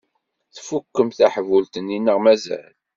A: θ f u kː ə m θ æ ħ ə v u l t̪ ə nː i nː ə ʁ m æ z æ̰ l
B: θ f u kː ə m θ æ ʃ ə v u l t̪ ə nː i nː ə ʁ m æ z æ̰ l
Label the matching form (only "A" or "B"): A